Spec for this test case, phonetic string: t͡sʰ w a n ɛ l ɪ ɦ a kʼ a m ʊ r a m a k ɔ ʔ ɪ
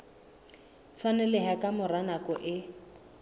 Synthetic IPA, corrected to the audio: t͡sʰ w a n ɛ l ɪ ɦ a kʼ a m ʊ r a n a k ɔ ʔ ɪ